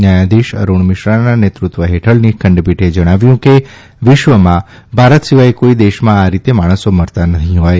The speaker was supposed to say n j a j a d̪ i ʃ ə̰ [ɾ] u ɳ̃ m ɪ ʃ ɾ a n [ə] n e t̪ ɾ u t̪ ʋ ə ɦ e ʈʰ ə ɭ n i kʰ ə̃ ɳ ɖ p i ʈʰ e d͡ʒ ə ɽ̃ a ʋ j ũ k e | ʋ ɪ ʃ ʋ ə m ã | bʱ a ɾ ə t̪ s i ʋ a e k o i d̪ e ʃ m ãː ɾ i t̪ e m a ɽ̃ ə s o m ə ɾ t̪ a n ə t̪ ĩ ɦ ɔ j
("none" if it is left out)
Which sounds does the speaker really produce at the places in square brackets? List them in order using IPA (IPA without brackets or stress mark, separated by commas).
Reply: ɾ, a